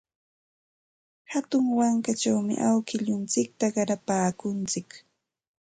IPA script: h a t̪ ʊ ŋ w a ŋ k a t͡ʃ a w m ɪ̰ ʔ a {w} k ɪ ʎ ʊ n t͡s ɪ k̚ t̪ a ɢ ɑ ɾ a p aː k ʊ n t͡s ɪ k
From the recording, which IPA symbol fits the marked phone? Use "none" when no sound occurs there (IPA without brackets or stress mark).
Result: w